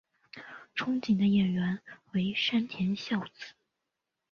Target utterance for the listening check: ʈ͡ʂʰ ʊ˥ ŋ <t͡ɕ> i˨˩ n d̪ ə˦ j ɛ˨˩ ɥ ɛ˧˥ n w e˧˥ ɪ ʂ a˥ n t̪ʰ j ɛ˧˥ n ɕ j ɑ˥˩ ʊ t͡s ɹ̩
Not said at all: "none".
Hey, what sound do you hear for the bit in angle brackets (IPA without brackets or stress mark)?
t͡ɕ